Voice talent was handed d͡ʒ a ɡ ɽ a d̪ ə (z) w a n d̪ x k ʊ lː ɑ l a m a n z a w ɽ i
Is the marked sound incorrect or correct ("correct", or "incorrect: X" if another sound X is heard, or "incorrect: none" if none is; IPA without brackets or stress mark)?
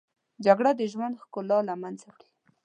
incorrect: ʒ